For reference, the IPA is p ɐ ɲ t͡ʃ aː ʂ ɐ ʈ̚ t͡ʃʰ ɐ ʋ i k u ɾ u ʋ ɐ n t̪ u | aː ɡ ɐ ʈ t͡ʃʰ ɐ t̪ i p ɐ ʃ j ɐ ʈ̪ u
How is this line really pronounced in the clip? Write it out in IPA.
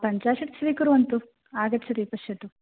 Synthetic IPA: p ɐ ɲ t͡ʃ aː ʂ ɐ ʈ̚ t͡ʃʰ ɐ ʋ i k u ɾ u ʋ ɐ n t̪ u | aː ɡ ɐ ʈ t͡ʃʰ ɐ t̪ i p ɐ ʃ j ɐ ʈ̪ u